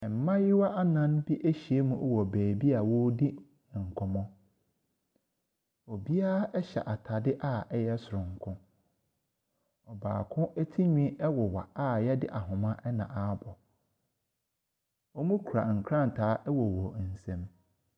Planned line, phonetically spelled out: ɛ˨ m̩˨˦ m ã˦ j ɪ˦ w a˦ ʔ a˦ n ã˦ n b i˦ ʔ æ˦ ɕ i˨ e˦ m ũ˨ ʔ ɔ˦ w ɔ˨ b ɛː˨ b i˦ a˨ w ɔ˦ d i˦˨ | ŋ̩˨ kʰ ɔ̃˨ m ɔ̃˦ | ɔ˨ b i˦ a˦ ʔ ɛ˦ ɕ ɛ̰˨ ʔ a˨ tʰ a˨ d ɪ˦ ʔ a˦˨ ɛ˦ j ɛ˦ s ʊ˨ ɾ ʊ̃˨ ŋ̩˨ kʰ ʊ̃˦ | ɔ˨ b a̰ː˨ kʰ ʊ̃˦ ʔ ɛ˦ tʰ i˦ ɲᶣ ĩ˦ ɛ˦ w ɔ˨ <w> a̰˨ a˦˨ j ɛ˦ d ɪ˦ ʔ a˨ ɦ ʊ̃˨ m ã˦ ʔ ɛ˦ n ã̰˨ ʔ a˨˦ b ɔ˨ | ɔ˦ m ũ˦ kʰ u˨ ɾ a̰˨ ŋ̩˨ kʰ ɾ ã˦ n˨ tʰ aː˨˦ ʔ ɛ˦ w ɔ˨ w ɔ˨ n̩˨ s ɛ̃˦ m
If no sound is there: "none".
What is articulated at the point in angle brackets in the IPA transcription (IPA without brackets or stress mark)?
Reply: w